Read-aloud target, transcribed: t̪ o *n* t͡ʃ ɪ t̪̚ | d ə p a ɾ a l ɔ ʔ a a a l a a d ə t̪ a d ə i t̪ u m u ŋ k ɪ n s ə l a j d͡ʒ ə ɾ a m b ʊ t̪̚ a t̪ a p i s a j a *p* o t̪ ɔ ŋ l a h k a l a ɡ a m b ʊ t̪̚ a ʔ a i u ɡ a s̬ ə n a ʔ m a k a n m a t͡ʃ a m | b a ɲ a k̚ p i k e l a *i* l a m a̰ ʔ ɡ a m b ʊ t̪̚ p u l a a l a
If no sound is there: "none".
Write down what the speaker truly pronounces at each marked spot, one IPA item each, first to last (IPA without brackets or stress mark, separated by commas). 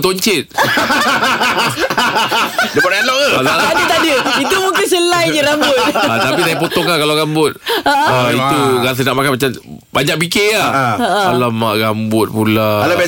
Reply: ɲ, p, a